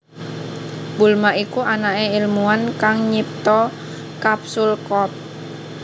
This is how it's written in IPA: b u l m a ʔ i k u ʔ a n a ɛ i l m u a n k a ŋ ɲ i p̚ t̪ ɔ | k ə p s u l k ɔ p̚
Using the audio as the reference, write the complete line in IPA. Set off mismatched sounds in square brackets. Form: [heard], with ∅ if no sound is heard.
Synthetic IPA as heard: b u l m a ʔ i k u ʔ a n a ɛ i l m u a n k a ŋ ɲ i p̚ t̪ ɔ | k [a] p s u l k ɔ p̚